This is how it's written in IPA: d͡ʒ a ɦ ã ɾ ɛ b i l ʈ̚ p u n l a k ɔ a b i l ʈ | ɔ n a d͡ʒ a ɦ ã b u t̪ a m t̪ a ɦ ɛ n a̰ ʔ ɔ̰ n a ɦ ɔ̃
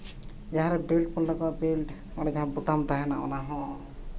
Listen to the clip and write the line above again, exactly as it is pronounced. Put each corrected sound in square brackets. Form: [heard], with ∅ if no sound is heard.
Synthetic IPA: d͡ʒ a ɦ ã ɾ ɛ b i l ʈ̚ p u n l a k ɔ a b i l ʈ | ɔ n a d͡ʒ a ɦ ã b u t̪ a m t̪ a ɦ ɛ n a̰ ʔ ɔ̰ n a ɦ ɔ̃